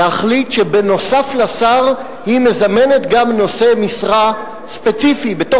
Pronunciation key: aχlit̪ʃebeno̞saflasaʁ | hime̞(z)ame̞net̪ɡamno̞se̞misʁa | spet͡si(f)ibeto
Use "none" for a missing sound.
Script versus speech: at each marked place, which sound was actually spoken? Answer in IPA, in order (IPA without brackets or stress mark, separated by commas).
z, f